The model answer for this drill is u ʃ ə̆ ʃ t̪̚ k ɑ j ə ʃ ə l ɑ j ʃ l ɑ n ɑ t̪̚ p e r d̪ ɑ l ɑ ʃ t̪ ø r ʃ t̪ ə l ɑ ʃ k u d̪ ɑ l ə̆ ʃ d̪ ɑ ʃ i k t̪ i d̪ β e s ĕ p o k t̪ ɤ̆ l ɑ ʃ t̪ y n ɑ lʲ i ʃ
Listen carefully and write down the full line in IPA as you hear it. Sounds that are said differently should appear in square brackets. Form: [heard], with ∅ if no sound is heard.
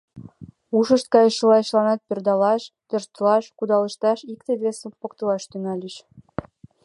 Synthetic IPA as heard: u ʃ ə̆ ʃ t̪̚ k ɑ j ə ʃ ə l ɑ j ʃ l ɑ n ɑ t̪̚ p e r d̪ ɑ l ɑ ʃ t̪ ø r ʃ t̪ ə l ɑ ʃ k u d̪ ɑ l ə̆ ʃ [t̪] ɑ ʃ i k t̪ [e] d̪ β e s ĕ p o k t̪ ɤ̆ l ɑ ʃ t̪ y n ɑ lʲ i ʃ